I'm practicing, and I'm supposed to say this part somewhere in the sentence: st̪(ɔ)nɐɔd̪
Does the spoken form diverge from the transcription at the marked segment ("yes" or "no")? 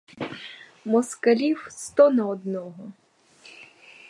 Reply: no